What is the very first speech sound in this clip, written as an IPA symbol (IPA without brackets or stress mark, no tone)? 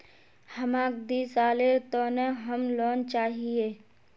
h